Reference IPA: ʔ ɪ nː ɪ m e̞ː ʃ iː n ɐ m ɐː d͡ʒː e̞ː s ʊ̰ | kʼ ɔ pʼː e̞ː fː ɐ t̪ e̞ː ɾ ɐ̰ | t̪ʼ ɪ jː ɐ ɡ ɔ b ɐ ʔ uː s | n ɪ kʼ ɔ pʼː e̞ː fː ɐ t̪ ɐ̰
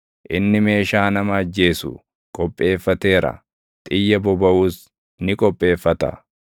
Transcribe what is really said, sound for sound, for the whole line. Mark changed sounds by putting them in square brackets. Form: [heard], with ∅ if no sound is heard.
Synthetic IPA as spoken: ʔ ɪ nː ɪ m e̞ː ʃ [aː] n ɐ m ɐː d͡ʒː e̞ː s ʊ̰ | kʼ ɔ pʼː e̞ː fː ɐ t̪ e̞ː ɾ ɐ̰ | t̪ʼ ɪ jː ɐ [b] ɔ b ɐ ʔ uː s | n ɪ kʼ ɔ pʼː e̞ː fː ɐ t̪ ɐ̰